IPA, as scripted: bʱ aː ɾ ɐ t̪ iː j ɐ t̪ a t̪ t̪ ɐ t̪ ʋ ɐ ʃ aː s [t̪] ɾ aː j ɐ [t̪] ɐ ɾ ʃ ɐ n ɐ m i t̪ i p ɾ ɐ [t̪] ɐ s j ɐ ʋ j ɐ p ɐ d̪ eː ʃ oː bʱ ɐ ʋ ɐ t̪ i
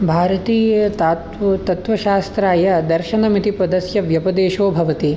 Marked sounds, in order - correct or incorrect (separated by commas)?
correct, incorrect, incorrect